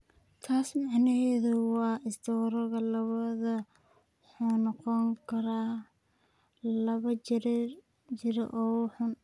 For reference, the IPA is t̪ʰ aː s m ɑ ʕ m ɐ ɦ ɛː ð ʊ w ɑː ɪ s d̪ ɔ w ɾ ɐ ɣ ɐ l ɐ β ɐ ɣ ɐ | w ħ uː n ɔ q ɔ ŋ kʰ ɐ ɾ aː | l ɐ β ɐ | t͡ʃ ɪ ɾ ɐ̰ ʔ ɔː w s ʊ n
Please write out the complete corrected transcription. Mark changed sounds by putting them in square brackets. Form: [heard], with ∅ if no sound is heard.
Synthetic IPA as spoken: t̪ʰ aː s m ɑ ʕ [n] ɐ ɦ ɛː ð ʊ w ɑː ɪ s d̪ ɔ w ɾ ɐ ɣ ɐ l ɐ β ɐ [ð] ɐ | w ħ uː n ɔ q ɔ ŋ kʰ ɐ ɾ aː | l ɐ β ɐ | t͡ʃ ɪ ɾ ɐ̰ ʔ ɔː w [ħ] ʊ n